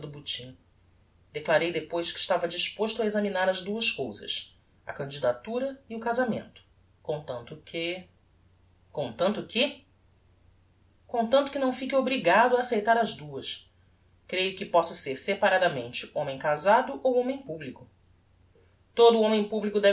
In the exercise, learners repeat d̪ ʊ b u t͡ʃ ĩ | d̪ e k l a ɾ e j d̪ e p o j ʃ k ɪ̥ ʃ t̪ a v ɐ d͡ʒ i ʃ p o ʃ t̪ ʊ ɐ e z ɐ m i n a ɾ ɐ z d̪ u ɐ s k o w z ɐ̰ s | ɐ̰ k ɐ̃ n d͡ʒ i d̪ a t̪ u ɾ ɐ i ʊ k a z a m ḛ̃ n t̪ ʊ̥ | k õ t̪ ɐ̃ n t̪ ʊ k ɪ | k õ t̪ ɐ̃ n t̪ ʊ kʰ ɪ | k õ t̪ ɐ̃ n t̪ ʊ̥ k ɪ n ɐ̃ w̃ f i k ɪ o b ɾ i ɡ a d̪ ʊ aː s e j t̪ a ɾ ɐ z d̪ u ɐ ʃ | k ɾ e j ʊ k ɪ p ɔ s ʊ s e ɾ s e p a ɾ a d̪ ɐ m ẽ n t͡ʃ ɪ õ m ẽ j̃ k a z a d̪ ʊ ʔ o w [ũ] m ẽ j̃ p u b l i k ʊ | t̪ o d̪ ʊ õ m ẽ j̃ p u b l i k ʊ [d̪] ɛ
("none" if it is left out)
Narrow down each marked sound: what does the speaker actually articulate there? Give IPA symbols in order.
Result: õ, d̪

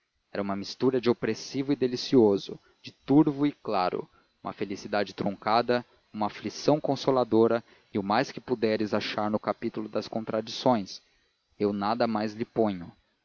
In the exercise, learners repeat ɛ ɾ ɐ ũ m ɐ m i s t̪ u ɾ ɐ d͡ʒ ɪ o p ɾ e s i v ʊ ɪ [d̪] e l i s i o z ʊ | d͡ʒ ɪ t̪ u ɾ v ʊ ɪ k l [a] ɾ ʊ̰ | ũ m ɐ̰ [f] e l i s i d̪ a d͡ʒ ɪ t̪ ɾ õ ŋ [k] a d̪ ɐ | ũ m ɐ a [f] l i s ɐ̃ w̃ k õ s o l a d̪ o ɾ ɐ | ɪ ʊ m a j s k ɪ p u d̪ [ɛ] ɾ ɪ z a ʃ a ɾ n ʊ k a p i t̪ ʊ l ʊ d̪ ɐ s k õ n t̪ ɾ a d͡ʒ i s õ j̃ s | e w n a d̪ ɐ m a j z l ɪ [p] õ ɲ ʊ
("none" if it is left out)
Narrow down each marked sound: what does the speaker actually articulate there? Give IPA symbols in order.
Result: d̪, a, f, k, f, ɛ, p

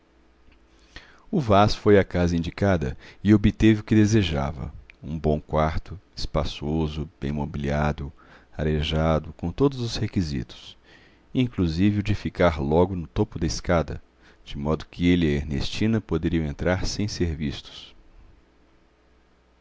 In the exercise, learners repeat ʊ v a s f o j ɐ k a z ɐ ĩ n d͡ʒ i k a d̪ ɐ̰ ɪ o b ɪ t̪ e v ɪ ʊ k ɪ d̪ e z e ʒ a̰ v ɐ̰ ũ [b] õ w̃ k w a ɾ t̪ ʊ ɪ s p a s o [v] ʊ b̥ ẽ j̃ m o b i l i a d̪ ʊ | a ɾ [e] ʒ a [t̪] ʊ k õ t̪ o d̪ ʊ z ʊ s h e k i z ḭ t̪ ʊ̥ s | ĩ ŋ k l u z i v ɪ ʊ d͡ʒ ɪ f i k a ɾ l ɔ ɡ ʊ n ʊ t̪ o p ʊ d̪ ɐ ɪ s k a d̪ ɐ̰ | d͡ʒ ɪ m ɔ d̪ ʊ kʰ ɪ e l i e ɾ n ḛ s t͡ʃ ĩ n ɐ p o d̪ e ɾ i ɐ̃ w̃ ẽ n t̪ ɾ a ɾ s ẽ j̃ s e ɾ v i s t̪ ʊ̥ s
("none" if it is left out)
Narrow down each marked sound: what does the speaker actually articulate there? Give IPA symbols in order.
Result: b, z, e, d̪

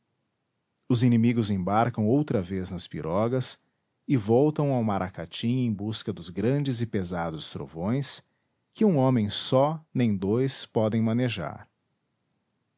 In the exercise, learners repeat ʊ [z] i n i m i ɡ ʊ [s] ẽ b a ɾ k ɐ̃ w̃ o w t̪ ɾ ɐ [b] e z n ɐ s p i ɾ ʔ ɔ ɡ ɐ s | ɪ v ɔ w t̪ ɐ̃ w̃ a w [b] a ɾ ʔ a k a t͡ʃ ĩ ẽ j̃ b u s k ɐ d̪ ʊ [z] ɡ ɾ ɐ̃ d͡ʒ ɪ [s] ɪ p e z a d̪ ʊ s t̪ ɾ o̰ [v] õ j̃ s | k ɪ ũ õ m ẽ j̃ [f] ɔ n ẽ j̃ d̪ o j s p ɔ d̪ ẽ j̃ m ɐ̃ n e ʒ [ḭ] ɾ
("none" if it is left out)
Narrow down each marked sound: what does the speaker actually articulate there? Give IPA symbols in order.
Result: z, z, v, m, z, z, v, s, a̰

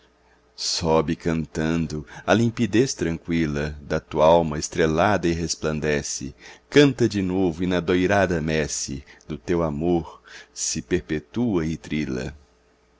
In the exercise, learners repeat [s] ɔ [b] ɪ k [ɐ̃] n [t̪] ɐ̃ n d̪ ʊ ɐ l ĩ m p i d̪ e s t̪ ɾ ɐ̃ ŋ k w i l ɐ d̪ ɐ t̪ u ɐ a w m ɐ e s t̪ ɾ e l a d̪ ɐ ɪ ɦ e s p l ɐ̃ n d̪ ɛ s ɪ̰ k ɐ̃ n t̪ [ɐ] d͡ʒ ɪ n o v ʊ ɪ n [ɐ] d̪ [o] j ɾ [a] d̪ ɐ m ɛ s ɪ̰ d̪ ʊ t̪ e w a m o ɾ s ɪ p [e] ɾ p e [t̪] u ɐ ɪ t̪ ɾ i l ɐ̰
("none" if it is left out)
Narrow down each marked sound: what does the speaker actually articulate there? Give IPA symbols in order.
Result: s, b, ɐ̃, t̪, ɐ, ɐ, o, a, e, t̪

